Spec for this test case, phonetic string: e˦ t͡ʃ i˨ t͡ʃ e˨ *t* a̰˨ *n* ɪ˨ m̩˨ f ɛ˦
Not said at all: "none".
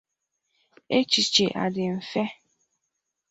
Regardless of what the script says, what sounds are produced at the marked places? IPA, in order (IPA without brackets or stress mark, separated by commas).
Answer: ʔ, d